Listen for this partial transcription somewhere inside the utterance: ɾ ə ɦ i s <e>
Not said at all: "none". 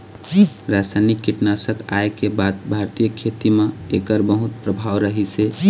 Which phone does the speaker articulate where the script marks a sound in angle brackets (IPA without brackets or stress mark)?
e